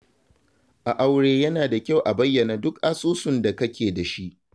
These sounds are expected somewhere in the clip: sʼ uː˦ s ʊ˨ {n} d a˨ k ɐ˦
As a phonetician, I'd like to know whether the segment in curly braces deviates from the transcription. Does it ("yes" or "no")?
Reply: no